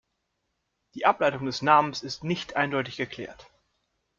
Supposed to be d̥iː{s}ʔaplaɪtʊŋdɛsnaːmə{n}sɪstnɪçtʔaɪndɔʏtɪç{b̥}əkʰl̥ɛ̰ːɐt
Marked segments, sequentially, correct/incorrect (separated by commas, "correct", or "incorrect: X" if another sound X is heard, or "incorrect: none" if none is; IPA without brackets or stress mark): incorrect: none, correct, incorrect: ɡ̥